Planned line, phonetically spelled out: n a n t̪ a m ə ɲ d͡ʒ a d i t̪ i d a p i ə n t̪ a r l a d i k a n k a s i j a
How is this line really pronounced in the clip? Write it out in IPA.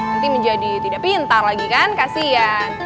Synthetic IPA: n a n t̪ i m ə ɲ d͡ʒ a d i t̪ i d a p i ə n t̪ a r l a ɡ i k a n k a s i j a